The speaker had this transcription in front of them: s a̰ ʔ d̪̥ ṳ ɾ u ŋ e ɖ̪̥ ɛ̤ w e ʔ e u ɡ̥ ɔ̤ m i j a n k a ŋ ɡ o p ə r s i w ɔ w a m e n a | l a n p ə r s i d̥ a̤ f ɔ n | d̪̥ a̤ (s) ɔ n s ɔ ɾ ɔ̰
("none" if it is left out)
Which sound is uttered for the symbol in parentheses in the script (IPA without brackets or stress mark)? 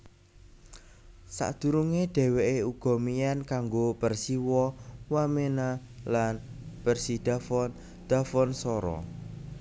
f